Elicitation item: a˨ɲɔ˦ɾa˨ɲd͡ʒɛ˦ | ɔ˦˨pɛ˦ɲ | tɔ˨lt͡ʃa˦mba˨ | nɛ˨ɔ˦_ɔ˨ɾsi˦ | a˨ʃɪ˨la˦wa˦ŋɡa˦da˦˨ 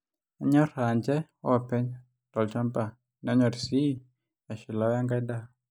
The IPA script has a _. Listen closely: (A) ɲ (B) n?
A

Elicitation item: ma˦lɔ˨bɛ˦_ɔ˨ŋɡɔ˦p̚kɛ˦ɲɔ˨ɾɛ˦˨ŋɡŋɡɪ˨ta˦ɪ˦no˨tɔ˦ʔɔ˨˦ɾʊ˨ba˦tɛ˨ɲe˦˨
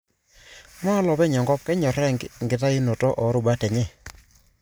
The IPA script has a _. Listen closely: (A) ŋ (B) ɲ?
B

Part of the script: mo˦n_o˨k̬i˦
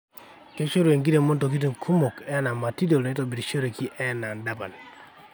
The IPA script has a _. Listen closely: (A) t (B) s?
A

